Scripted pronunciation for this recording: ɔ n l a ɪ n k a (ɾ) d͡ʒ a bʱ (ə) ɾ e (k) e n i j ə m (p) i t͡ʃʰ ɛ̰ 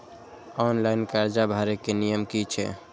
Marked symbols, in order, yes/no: yes, no, yes, no

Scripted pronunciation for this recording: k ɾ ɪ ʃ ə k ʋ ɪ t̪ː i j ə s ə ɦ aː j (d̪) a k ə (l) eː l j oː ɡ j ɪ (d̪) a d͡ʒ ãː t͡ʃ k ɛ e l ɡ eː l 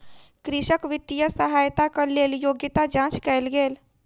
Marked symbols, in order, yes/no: no, yes, no

